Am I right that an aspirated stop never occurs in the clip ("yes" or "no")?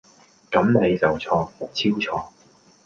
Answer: no